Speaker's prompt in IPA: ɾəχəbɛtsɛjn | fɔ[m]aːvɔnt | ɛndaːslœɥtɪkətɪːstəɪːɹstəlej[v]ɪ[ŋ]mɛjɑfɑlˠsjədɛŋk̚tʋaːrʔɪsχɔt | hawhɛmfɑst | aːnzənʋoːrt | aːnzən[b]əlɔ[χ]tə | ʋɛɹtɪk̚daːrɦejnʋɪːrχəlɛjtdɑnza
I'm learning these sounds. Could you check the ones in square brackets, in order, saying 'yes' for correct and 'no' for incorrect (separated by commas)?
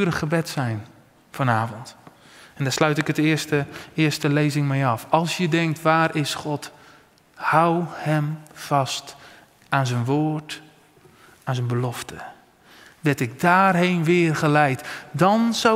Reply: no, no, yes, yes, no